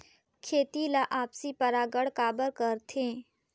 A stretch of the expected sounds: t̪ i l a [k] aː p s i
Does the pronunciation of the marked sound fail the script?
yes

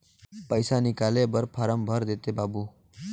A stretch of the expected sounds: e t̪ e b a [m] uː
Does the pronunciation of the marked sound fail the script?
yes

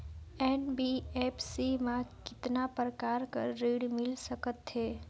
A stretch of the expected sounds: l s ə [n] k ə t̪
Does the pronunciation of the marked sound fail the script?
yes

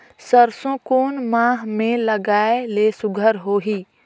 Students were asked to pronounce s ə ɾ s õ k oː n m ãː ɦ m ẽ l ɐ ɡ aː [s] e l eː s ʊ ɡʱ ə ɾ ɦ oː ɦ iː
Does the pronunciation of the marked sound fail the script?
yes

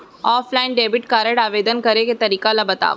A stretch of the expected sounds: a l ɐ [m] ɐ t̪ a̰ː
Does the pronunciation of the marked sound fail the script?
yes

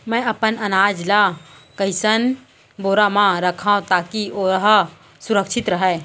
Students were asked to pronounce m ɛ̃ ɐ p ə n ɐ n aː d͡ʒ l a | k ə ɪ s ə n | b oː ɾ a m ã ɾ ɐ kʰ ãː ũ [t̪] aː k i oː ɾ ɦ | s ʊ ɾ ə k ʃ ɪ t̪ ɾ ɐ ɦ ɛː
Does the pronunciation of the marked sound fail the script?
no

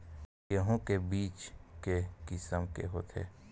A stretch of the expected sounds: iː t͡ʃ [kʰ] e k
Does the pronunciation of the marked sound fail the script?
yes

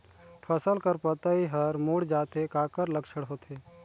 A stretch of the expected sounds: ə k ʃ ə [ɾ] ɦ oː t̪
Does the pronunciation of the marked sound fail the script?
yes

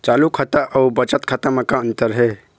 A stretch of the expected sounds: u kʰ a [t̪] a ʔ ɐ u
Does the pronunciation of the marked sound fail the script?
no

